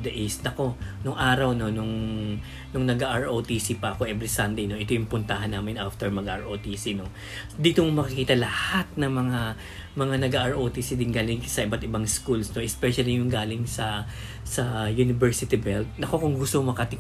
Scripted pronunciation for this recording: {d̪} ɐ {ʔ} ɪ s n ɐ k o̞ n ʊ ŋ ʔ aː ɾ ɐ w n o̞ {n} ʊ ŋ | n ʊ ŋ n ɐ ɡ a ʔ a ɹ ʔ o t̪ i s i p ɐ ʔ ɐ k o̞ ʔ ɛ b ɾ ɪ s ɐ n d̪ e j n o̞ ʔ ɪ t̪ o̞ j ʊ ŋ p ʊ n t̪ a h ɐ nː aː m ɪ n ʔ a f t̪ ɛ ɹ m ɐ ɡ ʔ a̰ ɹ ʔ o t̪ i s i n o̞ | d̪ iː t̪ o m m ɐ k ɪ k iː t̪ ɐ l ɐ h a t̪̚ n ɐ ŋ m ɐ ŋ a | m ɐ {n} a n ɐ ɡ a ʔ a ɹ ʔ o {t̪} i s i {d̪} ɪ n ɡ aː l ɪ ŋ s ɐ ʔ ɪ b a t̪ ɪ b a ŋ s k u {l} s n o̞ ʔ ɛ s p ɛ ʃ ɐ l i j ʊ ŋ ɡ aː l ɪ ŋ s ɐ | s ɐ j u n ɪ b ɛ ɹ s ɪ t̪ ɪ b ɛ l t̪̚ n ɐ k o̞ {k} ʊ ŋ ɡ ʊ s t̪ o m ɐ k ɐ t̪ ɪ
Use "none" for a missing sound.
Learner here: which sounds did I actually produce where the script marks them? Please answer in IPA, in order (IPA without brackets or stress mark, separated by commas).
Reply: d̪, ʔ, n, ŋ, t̪, d̪, l, k